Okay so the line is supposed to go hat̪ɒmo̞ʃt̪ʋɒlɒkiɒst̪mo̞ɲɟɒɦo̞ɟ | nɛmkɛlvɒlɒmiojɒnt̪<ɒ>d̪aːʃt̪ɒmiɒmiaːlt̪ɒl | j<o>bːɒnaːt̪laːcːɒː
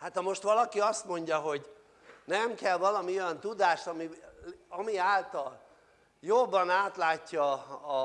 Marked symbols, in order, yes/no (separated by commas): no, yes